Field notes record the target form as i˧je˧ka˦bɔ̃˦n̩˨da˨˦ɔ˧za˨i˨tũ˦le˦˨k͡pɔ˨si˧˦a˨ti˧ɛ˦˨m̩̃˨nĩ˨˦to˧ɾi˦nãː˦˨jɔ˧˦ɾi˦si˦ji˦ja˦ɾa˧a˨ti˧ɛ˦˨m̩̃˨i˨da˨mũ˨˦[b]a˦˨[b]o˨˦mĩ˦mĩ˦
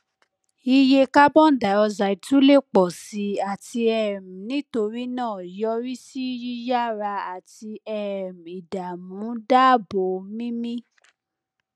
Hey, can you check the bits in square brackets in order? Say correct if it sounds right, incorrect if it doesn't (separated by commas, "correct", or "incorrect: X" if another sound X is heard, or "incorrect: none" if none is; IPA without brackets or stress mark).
incorrect: d, correct